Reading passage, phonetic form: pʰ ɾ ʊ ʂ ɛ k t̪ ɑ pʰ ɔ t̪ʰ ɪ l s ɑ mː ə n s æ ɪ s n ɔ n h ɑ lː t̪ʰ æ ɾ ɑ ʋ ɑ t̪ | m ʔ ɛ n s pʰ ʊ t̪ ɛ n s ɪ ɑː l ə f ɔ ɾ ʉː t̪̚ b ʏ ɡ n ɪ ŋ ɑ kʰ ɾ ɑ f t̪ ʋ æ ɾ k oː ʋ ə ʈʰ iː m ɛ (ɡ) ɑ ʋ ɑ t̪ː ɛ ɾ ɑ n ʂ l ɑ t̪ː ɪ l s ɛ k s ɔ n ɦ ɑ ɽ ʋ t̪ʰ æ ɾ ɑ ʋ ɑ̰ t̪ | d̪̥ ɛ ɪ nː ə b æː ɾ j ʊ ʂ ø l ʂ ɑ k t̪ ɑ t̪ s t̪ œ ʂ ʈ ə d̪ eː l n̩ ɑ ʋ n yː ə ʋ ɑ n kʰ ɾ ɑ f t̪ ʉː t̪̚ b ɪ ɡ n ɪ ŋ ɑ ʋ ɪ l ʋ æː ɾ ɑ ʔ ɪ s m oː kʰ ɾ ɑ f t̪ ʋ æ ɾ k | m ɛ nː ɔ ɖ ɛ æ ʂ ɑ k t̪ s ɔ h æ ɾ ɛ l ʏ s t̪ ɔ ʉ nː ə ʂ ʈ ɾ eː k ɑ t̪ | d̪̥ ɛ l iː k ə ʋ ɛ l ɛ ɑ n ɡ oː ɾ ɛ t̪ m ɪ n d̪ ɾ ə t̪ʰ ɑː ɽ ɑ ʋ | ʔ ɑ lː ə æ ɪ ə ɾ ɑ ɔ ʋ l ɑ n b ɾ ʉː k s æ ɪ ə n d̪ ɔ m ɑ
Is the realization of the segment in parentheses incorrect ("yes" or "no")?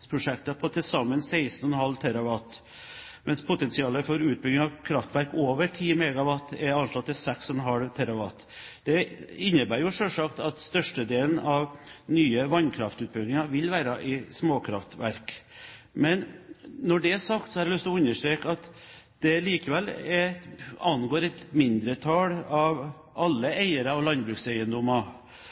no